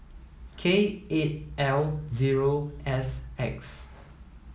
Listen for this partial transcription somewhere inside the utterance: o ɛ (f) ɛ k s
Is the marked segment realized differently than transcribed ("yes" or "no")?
yes